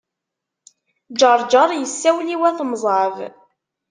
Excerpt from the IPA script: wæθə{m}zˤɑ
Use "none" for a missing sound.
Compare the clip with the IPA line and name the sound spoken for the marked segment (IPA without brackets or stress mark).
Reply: m